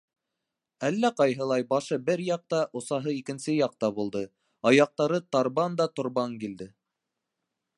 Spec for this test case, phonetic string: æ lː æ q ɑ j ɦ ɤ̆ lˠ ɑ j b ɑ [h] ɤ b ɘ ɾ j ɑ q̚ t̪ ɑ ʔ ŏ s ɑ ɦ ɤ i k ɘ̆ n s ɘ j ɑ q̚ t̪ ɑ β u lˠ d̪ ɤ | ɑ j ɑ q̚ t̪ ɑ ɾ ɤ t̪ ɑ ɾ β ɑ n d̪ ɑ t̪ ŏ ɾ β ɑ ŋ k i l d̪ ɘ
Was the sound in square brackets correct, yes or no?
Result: no